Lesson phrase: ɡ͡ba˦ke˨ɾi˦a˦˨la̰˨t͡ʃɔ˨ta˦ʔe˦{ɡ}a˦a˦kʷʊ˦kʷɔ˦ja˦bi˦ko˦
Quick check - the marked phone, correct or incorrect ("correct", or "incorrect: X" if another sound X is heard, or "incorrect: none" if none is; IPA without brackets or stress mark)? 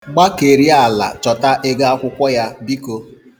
correct